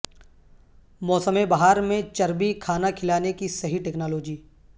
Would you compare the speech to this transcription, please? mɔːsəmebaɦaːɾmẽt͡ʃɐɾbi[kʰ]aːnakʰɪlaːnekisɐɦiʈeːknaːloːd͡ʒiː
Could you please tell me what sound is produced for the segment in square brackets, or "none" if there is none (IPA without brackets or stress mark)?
kʰ